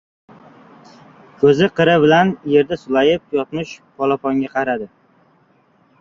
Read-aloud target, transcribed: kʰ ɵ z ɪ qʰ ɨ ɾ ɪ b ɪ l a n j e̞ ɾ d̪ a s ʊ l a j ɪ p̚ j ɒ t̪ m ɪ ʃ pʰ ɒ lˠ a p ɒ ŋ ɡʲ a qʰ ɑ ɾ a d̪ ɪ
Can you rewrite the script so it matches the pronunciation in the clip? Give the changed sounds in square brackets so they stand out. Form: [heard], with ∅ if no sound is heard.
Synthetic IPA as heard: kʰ ɵ z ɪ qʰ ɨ ɾ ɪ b ɪ l a n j e̞ ɾ d̪ a s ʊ l a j ɪ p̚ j ɒ t̪ m ɪ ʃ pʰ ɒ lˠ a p ɒ ŋ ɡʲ a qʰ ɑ ɾ a d̪ ɪ

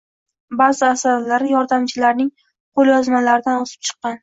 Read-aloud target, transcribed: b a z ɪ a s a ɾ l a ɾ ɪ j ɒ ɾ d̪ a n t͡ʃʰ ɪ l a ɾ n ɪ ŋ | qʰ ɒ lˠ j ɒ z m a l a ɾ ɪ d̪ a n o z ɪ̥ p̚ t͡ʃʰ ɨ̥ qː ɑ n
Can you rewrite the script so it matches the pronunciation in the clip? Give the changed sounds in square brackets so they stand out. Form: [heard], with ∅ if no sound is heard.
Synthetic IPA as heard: b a z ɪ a s a ɾ l a ɾ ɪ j ɒ ɾ d̪ a [m] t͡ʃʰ ɪ l a ɾ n ɪ ŋ | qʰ [o] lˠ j ɒ z m a l a ɾ ɪ d̪ a n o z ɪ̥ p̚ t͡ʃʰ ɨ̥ qː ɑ n

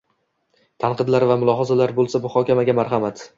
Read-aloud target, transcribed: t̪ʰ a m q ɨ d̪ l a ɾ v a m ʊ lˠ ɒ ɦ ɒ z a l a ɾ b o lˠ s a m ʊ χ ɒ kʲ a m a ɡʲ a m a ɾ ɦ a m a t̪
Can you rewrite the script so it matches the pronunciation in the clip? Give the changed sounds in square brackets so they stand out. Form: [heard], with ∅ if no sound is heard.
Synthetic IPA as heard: t̪ʰ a [n] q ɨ d̪ l a ɾ v a m ʊ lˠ ɒ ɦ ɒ z a l a ɾ b o lˠ s a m ʊ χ ɒ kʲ a m a ɡʲ a m a ɾ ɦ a m a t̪

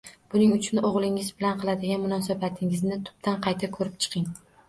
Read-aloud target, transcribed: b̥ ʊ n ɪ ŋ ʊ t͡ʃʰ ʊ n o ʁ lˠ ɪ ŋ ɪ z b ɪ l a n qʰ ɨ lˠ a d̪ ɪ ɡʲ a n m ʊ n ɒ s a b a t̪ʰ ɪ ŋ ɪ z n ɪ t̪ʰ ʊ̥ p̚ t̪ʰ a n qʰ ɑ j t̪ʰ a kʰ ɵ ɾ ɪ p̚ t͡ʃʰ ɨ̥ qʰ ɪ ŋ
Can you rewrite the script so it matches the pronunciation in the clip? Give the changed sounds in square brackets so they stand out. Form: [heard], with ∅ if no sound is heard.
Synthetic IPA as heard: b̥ ʊ n ɪ ŋ ʊ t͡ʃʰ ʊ n o ʁ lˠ ɪ ŋ ɪ z b ɪ l a n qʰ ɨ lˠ a d̪ ɪ ɡʲ a n m ʊ n ɒ s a b a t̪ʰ ɪ ŋ ɪ z n ɪ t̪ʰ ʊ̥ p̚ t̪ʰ a n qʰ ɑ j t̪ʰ a kʰ ɵ ɾ ɪ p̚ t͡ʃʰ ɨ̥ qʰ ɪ ŋ

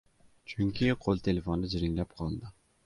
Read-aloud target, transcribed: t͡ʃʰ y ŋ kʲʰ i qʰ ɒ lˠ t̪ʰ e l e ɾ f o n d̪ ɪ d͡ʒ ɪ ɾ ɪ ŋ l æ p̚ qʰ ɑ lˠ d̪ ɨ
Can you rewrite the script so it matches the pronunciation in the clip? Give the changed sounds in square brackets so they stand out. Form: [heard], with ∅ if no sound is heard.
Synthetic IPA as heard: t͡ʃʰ y ŋ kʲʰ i qʰ [o] lˠ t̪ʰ e l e [∅] f o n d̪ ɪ d͡ʒ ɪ ɾ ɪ ŋ l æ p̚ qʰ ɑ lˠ d̪ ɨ

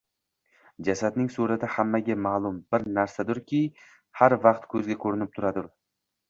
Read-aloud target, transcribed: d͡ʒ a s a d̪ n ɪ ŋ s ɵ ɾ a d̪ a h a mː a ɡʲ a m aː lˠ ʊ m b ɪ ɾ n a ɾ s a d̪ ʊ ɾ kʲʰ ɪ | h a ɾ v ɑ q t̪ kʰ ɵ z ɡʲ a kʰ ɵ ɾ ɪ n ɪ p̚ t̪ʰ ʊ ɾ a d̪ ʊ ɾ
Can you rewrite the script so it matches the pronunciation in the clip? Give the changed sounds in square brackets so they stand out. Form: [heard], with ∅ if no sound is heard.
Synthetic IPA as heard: d͡ʒ a s a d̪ n ɪ ŋ s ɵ ɾ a d̪ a h a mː a ɡʲ a m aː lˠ ʊ m b ɪ ɾ n a ɾ s a d̪ ʊ ɾ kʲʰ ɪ | h a ɾ v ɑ q t̪ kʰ ɵ z ɡʲ a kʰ ɵ ɾ ɪ n ɪ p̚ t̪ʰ ʊ ɾ a d̪ ʊ ɾ

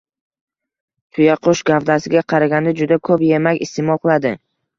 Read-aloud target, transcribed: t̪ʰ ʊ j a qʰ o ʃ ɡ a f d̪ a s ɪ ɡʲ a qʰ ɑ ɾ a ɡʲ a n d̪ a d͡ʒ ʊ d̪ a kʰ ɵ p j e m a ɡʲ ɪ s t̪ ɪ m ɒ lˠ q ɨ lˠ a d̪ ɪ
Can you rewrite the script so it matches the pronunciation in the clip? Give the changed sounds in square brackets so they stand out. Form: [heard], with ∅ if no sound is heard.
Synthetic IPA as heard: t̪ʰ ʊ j a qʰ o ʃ ɡ a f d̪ a s ɪ ɡʲ a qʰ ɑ ɾ a ɡʲ a n d̪ a d͡ʒ ʊ d̪ a kʰ ɵ p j e m a [kʲ] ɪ s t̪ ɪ m ɒ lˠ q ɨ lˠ a d̪ ɪ

